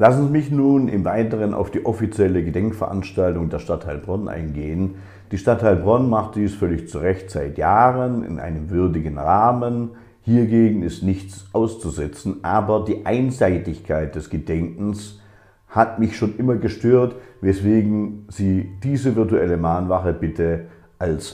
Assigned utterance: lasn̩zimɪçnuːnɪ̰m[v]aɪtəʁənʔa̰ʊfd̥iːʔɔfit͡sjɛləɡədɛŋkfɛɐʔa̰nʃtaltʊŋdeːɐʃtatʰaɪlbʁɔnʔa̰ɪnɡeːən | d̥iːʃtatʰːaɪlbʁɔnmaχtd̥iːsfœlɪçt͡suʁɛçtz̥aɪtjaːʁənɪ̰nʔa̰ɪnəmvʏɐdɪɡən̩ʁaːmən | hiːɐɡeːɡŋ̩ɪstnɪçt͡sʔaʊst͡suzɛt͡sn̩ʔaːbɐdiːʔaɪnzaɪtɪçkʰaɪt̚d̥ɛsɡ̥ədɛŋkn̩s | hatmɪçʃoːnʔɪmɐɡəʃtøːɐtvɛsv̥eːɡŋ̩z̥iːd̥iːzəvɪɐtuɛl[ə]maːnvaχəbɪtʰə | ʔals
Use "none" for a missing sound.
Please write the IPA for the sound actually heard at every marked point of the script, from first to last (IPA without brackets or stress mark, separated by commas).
v, ə